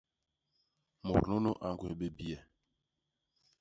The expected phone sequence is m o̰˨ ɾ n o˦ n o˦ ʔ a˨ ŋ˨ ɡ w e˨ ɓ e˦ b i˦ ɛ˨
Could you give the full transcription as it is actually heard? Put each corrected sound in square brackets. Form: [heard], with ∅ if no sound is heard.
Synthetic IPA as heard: m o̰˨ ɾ n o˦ n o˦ ʔ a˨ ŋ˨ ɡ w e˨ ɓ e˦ b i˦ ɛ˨